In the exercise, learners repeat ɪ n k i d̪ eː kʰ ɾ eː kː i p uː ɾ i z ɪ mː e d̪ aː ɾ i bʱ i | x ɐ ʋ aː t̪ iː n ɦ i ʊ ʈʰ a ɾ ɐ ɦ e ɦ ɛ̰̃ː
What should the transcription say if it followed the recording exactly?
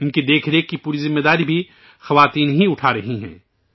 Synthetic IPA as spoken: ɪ n k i d̪ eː kʰ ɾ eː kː i p uː ɾ i z ɪ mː e d̪ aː ɾ i bʱ i | x ɐ ʋ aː t̪ iː n ɦ i ʊ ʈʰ a ɾ ɐ ɦ i ɦ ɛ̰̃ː